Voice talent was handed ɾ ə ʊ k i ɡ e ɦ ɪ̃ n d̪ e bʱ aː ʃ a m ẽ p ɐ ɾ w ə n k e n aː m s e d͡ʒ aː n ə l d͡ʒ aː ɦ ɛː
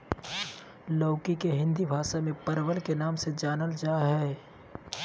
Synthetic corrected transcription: l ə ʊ k i k e ɦ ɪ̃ n d̪ i bʱ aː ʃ a m ẽ p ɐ ɾ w ə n k e n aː m s e d͡ʒ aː n ə l d͡ʒ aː ɦ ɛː